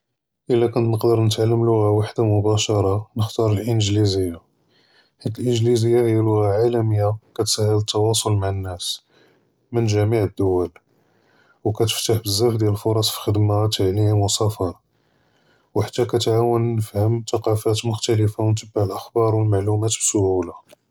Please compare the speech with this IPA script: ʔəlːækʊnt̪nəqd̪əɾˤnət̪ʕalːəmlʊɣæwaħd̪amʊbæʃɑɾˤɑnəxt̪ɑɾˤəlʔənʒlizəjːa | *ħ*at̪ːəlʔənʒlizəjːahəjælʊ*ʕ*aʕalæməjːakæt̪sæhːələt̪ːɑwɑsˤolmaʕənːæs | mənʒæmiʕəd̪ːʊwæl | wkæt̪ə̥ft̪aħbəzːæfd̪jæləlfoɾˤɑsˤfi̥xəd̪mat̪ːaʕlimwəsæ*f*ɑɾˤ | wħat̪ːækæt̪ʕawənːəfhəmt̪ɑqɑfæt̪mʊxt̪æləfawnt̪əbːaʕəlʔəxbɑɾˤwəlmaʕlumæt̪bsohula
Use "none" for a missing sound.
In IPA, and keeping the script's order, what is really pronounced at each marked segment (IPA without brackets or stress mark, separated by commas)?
ħ, ɣ, f